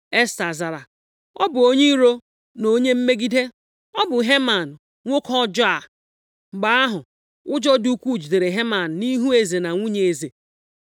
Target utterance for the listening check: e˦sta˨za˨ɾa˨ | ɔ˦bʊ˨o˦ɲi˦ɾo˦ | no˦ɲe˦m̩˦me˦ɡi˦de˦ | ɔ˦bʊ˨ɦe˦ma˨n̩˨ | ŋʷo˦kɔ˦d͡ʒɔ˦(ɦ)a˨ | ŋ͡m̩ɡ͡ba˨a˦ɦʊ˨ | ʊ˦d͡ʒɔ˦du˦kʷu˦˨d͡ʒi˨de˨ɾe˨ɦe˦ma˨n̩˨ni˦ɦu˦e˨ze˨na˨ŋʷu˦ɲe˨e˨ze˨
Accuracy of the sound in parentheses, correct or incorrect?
incorrect